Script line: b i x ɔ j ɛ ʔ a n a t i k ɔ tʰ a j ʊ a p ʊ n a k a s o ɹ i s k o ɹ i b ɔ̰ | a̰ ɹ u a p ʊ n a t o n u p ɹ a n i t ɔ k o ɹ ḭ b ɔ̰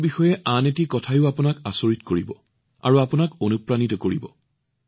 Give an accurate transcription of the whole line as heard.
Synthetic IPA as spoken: b i x ɔ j ɛ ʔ a n e t i k ɔ tʰ a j ʊ a p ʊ n a k a s o ɹ i t k o ɹ i b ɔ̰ | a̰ ɹ u a p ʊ n a k o n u p ɹ a n i t ɔ k o ɹ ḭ b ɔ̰